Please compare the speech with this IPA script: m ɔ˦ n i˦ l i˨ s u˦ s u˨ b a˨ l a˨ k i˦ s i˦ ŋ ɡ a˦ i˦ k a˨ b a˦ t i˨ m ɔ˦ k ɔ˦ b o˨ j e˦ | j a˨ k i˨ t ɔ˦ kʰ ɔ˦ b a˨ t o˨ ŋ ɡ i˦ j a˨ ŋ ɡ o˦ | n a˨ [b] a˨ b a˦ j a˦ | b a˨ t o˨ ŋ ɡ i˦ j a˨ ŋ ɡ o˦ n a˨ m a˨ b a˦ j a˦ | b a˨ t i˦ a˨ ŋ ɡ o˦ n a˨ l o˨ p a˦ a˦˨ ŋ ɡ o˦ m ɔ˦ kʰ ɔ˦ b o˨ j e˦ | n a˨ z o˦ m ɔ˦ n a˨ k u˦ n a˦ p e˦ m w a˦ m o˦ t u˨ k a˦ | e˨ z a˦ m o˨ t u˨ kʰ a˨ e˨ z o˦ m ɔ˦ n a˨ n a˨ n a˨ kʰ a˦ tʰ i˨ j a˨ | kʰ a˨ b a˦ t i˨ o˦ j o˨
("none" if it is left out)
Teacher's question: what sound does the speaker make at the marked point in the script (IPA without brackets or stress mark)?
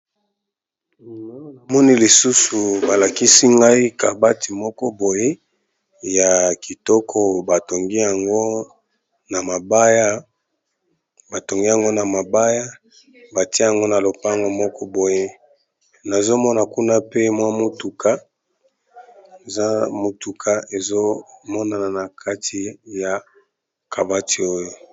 m